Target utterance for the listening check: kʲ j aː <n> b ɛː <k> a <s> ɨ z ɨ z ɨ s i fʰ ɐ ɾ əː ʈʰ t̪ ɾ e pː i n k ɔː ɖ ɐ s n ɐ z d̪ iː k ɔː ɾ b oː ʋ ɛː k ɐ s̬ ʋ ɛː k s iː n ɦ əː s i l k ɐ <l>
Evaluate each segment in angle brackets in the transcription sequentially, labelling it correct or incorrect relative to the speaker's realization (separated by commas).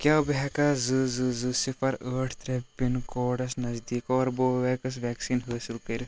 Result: incorrect, correct, incorrect, incorrect